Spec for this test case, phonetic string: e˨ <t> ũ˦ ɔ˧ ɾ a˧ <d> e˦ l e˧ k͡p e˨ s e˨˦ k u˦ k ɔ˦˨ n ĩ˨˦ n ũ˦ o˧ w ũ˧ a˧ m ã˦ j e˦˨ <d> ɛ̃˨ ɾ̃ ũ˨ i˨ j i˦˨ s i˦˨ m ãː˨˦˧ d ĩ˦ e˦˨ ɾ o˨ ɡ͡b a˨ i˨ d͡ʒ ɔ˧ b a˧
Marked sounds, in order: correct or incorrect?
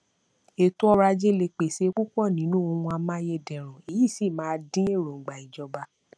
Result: correct, incorrect: d͡ʒ, correct

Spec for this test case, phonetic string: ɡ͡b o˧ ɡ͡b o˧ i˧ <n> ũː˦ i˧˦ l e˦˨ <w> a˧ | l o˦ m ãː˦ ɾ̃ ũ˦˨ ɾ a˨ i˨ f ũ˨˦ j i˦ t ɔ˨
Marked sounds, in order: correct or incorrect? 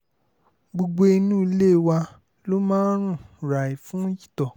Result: correct, correct

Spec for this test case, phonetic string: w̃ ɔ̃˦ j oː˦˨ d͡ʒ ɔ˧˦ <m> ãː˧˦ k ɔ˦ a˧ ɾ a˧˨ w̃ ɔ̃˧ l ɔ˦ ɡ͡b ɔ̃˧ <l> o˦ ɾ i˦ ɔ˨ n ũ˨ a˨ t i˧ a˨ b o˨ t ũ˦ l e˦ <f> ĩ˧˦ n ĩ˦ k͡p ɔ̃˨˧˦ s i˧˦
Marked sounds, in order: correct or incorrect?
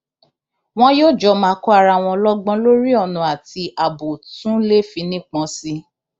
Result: correct, correct, correct

